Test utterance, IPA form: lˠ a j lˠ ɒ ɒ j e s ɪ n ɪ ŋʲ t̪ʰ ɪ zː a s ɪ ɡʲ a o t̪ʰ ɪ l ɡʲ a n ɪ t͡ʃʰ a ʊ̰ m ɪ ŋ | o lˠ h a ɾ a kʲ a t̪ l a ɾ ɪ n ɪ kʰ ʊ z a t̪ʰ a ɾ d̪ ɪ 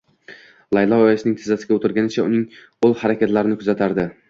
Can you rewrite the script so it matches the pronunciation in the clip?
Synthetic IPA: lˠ a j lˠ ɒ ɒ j a s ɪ n ɪ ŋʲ t̪ʰ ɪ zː a s ɪ ɡʲ a o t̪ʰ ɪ ɾ ɡʲ a n ɪ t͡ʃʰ a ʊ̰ n ɪ ŋ | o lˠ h a ɾ a kʲ a t̪ l a ɾ ɪ n ɪ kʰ ʊ z a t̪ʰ a ɾ d̪ ɪ